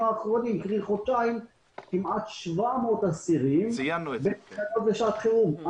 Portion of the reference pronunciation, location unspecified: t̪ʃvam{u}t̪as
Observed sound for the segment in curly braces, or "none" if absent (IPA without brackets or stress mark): o